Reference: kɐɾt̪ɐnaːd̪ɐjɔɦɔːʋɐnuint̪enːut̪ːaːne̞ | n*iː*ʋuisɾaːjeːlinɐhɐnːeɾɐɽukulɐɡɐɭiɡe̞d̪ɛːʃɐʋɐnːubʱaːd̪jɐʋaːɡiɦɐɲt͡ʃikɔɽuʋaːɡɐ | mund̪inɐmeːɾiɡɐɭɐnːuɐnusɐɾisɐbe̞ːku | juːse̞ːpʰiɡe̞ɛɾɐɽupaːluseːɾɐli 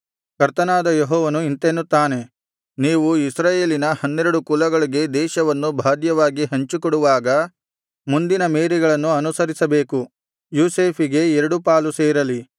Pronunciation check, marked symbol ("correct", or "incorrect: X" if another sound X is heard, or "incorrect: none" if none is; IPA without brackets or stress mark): correct